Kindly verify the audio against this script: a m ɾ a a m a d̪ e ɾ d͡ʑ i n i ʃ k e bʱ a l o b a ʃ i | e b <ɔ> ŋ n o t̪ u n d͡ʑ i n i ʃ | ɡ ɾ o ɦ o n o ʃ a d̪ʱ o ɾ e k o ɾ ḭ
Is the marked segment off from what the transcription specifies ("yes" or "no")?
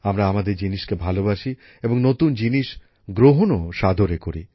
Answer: yes